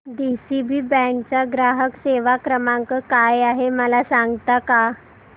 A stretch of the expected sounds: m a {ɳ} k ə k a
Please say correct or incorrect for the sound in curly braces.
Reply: incorrect